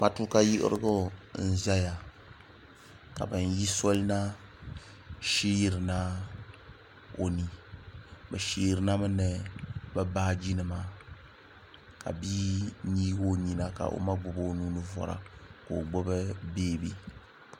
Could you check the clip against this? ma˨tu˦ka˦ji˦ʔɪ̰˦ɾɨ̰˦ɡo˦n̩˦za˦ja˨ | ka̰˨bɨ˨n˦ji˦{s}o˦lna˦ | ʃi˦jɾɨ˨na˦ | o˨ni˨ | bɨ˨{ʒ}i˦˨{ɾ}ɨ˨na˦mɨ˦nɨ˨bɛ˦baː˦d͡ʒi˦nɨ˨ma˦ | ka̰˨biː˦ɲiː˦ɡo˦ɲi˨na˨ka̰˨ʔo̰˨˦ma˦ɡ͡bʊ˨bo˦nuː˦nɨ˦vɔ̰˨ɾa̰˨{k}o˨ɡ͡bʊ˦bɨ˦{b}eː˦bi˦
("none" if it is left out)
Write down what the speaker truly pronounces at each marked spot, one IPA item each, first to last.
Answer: s, ʃ, ɾ, k, b

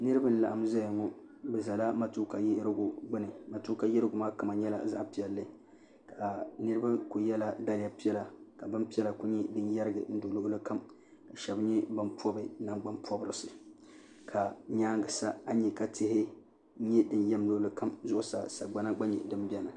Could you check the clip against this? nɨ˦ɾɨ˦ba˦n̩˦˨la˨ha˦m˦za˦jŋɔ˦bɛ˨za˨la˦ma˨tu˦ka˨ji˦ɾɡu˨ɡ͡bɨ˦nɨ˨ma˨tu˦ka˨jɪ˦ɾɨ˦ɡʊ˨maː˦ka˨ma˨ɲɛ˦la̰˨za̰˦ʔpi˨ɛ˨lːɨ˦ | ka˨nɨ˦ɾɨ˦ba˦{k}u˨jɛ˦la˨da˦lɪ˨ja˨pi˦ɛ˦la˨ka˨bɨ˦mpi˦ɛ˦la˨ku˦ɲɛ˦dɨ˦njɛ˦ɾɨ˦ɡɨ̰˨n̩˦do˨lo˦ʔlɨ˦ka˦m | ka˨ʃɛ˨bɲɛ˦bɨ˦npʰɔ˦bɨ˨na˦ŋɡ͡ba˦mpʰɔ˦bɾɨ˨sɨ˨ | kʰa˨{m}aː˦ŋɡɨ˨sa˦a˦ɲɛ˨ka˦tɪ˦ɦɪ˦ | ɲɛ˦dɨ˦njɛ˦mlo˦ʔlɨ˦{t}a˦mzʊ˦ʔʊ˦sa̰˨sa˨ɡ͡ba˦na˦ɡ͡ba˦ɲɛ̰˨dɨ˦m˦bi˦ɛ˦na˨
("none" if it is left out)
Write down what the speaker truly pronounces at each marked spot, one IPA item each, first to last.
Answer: k, ɲ, k

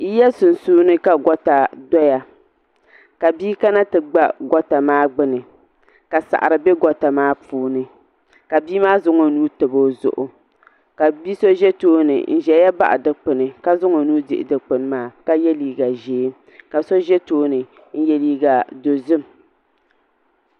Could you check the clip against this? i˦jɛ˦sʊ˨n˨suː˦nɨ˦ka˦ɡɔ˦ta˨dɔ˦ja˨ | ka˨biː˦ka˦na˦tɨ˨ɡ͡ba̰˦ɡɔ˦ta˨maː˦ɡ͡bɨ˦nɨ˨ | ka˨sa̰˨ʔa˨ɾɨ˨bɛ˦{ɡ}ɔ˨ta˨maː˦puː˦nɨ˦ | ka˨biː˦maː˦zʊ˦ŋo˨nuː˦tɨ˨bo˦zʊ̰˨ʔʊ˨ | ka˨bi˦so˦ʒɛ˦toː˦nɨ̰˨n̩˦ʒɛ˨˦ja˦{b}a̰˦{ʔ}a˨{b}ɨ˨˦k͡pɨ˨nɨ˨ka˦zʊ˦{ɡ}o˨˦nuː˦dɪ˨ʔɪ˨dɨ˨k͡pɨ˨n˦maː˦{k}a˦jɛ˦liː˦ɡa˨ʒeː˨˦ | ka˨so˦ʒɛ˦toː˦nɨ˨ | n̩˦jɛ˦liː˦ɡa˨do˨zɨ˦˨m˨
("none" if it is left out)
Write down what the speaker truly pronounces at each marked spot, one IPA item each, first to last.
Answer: ɡ, b, ʔ, d, ŋ, k

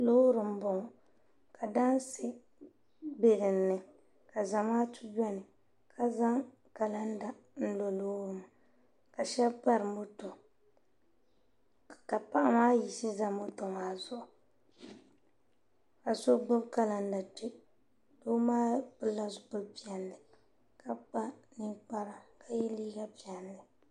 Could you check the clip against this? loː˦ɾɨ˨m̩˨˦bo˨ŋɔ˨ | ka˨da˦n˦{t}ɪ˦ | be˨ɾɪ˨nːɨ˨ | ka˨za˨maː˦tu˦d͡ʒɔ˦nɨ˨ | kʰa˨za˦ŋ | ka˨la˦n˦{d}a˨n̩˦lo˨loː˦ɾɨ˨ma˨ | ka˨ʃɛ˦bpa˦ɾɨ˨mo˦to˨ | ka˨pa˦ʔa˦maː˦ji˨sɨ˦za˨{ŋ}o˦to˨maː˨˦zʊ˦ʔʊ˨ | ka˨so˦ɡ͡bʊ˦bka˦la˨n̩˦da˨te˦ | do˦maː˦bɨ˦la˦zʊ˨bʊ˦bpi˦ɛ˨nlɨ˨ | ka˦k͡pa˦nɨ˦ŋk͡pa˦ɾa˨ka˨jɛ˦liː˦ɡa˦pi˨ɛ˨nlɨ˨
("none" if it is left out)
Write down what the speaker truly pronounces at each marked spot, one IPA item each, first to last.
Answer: s, d, m

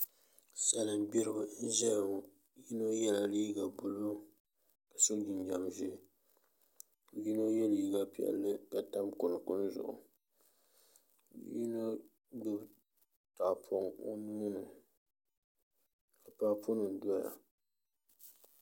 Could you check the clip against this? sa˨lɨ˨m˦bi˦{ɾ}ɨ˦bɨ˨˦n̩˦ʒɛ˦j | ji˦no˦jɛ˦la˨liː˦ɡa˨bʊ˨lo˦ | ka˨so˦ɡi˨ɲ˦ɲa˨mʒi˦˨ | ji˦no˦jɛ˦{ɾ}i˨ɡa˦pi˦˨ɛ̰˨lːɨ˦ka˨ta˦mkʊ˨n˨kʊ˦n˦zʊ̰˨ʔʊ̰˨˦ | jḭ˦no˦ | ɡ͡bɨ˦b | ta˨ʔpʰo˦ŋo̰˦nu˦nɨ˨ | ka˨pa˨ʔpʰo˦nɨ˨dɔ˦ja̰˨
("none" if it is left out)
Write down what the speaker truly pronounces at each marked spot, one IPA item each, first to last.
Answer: ɾ, l

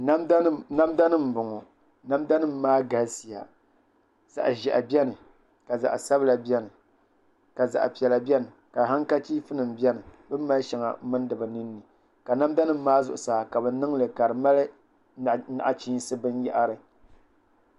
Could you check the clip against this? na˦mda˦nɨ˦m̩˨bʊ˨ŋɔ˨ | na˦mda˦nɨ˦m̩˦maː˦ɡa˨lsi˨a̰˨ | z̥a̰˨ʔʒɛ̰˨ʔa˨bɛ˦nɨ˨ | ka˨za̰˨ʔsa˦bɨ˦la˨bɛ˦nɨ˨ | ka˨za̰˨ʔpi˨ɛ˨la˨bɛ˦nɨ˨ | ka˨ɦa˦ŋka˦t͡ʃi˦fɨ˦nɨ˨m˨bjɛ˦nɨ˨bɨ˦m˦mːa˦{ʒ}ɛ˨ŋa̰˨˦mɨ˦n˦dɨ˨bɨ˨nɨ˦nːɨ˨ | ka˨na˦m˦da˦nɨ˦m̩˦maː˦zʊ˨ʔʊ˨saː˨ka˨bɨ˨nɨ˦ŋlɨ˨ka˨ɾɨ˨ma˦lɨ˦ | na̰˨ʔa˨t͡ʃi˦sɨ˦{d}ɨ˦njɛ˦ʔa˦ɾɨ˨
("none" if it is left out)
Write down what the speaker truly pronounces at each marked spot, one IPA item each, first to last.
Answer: ʃ, b

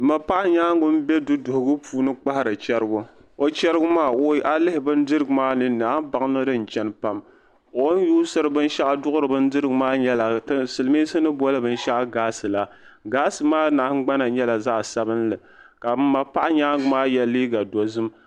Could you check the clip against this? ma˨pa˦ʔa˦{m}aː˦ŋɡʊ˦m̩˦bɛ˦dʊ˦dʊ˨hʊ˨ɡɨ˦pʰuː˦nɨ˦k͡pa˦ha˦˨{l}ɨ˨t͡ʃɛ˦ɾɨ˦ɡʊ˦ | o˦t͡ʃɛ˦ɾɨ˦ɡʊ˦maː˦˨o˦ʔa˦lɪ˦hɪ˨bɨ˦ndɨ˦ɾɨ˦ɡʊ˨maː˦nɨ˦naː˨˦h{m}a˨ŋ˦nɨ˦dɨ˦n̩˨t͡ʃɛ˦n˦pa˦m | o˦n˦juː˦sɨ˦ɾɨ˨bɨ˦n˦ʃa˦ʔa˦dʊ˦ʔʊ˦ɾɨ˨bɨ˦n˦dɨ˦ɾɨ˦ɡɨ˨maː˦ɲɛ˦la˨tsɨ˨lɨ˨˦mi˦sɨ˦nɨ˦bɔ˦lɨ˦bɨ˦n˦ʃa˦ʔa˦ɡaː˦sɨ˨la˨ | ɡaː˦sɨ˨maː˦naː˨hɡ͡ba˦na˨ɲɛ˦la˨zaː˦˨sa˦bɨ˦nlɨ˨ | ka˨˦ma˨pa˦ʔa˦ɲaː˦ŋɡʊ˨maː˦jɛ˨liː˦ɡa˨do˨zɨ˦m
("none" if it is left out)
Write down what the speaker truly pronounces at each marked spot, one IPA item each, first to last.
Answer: ɲ, ɾ, b

